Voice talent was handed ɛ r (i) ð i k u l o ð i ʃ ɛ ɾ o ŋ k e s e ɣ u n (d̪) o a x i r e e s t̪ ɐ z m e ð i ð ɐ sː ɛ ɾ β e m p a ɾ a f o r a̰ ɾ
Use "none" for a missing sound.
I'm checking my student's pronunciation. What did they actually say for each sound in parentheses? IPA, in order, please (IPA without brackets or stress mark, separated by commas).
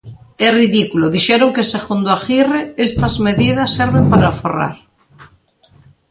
i, d̪